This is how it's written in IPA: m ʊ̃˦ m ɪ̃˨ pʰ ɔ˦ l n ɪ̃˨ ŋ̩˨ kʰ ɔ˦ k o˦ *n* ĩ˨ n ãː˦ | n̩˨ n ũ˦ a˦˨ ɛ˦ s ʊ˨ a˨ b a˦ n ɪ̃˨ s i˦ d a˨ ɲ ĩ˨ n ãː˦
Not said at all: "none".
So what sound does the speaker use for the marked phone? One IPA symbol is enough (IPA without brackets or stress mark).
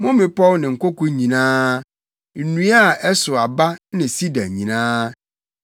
ɲ